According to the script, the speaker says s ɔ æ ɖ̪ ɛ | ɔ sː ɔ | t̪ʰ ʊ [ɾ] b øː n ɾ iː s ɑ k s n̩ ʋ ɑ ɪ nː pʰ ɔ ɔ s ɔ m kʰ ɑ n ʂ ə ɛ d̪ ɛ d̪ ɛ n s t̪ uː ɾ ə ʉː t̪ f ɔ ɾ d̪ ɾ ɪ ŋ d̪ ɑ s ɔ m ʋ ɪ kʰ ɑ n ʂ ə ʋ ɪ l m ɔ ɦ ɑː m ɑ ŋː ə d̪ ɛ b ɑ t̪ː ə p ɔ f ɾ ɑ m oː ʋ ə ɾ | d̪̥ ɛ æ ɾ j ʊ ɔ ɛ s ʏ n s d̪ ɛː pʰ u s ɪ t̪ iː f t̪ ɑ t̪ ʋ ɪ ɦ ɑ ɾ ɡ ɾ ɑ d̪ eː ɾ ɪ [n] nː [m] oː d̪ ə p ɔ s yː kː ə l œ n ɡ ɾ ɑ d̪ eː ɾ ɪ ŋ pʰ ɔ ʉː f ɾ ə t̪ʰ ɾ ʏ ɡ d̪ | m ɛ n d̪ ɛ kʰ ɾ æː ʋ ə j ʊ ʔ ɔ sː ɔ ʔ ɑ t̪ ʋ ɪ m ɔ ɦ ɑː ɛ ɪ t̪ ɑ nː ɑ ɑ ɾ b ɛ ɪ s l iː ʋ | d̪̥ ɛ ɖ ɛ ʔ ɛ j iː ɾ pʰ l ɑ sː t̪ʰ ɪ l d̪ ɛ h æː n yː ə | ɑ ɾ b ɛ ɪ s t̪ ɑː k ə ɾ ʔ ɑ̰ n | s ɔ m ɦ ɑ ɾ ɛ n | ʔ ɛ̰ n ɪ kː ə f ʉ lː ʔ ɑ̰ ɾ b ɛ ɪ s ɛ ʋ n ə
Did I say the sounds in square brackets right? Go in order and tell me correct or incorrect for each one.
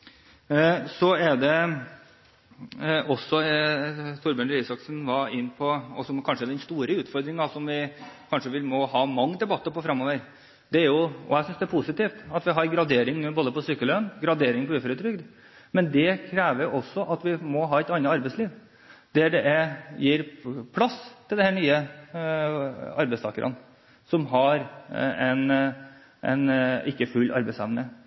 correct, incorrect: ŋ, incorrect: b

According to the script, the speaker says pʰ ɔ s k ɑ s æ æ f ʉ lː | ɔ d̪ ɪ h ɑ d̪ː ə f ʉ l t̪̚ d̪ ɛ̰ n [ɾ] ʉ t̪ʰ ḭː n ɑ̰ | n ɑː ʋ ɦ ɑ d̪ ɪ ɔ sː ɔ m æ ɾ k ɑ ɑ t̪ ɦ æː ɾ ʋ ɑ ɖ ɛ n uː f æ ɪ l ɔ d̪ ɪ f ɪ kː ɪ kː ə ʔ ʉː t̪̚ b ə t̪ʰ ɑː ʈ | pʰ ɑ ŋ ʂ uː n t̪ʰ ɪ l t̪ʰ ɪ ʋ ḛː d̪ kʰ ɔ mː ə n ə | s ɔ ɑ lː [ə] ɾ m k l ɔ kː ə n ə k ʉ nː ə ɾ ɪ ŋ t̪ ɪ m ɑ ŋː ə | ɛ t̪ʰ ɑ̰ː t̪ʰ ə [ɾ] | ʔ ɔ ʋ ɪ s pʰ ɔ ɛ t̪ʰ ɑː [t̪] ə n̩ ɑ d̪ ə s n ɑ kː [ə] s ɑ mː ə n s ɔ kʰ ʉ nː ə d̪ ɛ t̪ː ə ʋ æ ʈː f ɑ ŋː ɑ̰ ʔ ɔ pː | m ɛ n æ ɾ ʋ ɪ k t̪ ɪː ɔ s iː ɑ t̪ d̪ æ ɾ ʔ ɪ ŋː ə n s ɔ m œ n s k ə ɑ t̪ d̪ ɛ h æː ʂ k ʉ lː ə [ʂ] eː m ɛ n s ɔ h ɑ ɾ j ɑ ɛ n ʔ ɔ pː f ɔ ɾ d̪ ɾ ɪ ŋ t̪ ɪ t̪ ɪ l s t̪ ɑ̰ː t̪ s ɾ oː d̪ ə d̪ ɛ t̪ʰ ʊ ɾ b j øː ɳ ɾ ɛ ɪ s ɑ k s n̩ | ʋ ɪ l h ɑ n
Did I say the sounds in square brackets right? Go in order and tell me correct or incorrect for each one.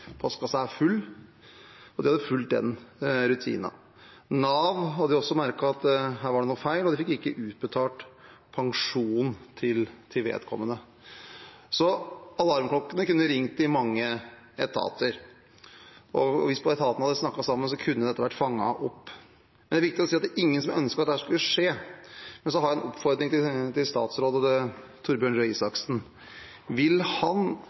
correct, incorrect: ɑ, correct, correct, incorrect: ɑ, correct

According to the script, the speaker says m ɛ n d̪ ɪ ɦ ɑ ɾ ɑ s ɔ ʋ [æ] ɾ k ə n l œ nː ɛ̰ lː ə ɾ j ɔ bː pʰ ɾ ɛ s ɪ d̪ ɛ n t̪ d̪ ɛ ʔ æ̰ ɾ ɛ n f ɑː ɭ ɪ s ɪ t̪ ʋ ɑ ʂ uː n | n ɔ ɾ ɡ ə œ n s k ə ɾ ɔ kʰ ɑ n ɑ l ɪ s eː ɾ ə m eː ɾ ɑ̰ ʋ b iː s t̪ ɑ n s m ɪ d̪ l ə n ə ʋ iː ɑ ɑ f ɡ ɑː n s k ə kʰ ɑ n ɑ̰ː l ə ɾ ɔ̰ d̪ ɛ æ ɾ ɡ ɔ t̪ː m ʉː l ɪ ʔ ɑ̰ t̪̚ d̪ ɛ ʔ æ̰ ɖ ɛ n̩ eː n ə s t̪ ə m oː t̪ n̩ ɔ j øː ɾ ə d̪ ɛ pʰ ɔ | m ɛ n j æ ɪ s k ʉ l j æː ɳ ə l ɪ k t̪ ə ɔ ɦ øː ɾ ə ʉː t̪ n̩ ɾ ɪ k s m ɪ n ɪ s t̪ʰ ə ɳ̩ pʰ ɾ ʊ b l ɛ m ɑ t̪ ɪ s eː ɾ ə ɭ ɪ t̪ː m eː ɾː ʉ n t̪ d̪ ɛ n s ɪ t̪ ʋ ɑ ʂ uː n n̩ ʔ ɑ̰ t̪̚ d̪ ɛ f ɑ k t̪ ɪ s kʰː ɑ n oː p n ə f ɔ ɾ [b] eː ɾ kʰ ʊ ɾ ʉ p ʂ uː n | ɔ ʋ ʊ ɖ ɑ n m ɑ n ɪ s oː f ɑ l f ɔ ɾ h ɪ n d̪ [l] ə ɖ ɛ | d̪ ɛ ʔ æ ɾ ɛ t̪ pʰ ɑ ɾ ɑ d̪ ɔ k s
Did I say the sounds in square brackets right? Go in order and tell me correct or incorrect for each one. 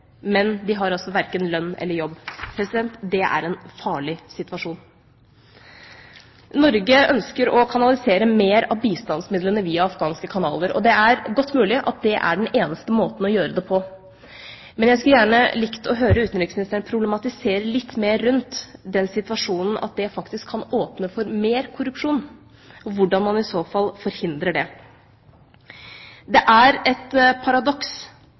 correct, incorrect: m, incorrect: ɾ

